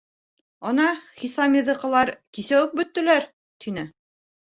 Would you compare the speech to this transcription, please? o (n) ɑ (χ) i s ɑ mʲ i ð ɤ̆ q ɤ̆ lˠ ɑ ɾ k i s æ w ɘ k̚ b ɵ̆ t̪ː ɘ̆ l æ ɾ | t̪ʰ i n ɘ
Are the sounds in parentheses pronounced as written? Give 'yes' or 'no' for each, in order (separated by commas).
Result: yes, yes